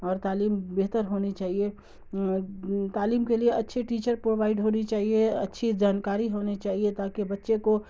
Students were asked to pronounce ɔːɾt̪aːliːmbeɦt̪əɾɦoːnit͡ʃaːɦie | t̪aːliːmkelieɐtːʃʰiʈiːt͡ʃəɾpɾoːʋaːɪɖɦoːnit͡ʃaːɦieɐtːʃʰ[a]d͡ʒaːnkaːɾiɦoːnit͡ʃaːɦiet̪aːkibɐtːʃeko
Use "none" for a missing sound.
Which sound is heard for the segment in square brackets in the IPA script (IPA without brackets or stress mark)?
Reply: i